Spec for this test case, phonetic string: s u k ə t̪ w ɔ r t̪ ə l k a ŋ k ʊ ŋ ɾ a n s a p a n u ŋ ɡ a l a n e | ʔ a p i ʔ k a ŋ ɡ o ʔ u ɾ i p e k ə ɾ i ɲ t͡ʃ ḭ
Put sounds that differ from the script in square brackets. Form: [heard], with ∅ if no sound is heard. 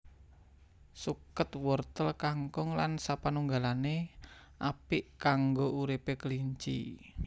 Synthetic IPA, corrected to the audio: s u k ə t̪ w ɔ r t̪ ə l k a ŋ k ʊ ŋ [l] a n s a p a n u ŋ ɡ a l a n e | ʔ a p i ʔ k a ŋ ɡ o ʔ u ɾ i p e k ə [l] i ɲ t͡ʃ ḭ